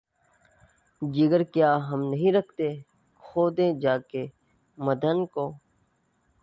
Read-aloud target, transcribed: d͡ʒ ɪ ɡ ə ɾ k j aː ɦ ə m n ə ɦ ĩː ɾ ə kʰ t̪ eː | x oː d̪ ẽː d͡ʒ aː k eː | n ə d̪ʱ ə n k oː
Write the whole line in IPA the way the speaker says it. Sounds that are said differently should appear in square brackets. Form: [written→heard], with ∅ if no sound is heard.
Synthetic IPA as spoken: d͡ʒ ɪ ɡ ə ɾ k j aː ɦ ə m n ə ɦ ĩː ɾ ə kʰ t̪ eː | x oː d̪ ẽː d͡ʒ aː k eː | [n→m] ə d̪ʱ ə n k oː